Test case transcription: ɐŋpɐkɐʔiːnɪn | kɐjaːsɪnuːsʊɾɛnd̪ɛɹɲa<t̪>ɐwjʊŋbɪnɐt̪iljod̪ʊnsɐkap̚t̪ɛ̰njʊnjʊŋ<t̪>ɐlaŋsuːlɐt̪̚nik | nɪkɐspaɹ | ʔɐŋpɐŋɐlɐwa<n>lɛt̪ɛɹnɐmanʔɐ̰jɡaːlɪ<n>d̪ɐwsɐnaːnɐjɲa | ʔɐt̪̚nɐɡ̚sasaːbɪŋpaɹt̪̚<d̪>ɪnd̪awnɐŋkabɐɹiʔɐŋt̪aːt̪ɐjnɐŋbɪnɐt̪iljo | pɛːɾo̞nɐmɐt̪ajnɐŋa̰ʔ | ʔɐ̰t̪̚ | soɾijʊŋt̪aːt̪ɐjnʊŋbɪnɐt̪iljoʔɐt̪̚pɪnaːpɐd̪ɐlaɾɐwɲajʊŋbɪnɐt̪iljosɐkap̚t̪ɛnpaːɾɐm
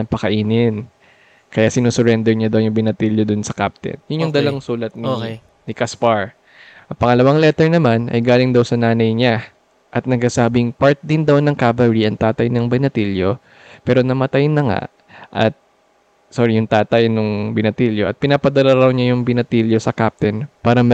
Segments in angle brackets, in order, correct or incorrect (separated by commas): incorrect, incorrect, incorrect, incorrect, correct